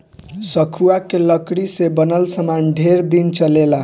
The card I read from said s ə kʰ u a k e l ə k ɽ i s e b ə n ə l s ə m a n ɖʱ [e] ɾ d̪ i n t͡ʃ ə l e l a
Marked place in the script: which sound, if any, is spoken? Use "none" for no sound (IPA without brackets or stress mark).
e